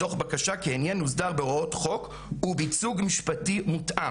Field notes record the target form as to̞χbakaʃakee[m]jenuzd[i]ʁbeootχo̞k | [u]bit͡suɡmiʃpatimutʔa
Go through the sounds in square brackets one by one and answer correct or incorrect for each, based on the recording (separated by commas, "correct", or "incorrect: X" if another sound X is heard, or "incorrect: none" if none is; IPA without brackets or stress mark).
incorrect: n, incorrect: a, correct